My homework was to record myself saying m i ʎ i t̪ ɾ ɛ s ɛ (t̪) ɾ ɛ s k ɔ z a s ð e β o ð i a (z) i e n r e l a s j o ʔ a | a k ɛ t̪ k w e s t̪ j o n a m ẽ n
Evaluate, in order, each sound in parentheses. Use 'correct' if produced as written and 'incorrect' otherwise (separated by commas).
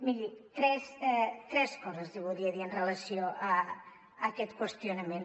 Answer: correct, incorrect